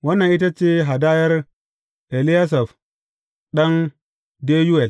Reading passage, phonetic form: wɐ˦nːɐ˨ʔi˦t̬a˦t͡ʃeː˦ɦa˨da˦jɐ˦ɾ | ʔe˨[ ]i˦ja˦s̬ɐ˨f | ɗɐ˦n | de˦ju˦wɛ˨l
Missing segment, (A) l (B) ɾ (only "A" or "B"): A